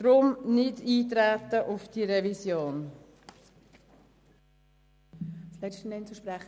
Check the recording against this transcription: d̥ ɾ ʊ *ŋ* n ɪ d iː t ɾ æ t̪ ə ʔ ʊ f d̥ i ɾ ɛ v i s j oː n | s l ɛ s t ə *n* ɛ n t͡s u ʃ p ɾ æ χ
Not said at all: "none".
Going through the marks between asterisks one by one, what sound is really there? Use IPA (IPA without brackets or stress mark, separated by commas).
m, n